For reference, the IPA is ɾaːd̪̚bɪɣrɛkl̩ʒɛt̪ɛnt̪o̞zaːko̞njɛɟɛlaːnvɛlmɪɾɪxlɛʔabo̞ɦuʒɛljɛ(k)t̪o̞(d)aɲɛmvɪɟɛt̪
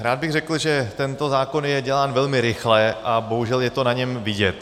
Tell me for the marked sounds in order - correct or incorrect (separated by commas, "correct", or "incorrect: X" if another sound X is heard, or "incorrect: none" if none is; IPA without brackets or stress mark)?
incorrect: none, incorrect: n